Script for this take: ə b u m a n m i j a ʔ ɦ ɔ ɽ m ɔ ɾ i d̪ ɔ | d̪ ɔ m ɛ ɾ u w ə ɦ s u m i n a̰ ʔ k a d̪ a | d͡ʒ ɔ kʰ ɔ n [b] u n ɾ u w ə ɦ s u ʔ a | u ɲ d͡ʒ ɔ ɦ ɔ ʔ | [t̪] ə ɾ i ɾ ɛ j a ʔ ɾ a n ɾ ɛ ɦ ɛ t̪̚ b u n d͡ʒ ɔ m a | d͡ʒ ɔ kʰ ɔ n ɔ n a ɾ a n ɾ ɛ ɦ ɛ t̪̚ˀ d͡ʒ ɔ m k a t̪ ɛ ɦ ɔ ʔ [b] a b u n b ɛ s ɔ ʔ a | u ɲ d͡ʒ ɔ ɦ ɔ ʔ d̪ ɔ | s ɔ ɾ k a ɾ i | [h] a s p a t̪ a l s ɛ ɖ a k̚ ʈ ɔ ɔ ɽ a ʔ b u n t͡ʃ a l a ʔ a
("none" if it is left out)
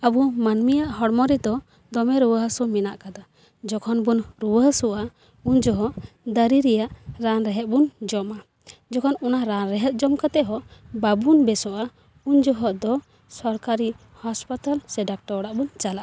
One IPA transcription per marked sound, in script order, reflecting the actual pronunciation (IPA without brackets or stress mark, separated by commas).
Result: b, d̪, b, h